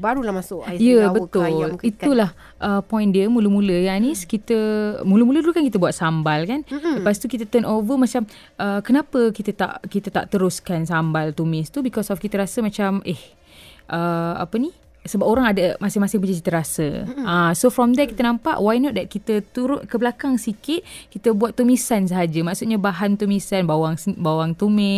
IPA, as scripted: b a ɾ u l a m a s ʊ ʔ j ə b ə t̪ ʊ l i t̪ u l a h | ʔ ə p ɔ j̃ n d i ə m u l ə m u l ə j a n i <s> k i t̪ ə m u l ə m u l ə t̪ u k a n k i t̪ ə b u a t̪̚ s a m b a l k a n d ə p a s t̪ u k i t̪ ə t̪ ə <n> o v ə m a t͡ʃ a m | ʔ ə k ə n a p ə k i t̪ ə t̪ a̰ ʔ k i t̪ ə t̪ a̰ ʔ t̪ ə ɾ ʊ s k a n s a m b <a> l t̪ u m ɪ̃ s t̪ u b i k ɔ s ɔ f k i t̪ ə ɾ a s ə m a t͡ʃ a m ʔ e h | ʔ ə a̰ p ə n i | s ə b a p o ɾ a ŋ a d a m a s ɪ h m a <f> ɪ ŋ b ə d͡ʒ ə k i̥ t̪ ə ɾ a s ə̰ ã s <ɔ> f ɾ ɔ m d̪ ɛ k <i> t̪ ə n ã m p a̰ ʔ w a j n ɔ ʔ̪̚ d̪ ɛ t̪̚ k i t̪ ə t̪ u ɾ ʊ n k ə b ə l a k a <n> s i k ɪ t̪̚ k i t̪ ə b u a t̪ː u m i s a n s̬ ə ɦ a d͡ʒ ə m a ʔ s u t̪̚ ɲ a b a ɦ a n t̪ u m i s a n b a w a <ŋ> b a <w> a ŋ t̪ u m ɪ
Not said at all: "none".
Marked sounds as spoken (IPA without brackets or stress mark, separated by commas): s, n, a, s, o, i, ŋ, ŋ, w